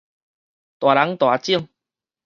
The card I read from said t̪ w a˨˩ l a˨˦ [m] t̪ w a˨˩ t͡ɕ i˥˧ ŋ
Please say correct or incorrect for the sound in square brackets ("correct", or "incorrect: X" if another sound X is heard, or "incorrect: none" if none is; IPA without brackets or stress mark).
incorrect: ŋ